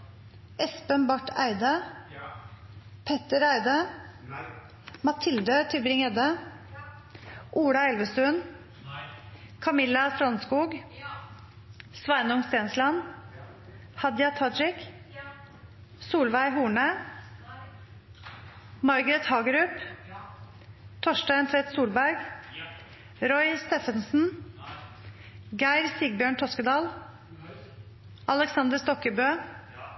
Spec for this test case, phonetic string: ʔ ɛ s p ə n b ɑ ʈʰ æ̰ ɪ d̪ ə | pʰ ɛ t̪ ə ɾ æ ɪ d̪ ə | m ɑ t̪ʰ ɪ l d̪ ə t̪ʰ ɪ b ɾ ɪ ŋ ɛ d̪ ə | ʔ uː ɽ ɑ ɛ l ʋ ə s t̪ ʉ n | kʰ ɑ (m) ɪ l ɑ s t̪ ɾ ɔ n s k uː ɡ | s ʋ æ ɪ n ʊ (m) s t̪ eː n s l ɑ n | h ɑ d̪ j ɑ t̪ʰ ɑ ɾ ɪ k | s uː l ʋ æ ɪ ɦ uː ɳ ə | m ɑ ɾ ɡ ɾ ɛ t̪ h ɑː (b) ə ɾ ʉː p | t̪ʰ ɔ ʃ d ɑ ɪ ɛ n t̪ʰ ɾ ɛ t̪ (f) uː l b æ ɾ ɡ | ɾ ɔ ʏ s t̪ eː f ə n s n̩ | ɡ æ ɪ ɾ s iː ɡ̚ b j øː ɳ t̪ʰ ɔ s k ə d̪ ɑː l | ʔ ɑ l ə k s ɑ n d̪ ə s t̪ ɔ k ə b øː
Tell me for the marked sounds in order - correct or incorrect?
correct, incorrect: ŋ, incorrect: ɡ, incorrect: s

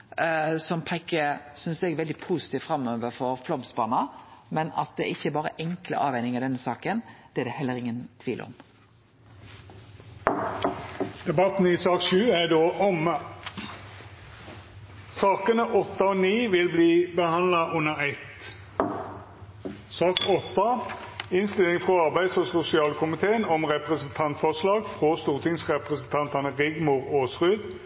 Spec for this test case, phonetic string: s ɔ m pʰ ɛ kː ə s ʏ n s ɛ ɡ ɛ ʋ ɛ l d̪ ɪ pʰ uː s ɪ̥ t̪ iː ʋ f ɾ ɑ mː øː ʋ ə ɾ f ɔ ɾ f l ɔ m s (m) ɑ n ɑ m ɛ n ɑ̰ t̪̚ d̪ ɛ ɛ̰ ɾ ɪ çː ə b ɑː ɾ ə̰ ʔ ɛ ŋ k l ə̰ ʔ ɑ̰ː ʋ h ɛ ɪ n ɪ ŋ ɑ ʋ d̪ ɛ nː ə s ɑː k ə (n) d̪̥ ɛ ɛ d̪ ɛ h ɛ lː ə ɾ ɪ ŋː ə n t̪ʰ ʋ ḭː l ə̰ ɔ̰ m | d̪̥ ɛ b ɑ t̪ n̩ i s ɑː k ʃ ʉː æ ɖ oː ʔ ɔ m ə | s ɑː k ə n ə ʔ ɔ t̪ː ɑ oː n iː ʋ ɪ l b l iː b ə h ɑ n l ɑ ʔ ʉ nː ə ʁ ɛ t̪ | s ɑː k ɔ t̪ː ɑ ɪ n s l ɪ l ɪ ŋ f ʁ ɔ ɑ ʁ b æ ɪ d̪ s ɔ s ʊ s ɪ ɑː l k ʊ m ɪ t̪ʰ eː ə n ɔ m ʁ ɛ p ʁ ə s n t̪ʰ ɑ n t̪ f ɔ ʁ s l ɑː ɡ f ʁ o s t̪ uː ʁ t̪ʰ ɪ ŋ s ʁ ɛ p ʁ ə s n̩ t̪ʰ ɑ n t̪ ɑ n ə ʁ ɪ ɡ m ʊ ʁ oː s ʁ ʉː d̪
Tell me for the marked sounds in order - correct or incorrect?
incorrect: b, correct

